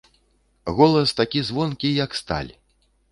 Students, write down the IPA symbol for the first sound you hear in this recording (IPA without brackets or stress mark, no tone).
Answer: ɣ